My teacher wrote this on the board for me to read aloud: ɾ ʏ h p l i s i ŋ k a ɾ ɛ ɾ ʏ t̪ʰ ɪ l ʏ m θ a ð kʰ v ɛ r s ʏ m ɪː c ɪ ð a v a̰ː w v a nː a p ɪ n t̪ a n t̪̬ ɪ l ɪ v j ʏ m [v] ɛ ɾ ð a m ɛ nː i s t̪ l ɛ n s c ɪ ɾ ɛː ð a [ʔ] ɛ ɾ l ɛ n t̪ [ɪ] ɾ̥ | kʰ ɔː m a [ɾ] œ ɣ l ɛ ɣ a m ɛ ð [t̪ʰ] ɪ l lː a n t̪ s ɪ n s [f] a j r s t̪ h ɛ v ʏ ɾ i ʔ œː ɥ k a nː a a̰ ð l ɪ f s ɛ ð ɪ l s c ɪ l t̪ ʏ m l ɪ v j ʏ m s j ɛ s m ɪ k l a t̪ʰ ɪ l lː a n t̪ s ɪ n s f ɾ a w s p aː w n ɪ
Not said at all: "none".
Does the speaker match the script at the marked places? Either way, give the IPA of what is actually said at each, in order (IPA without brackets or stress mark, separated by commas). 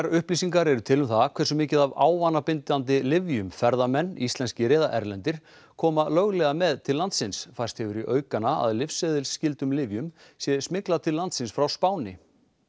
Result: f, ʔ, ɪ, l, t̪ʰ, f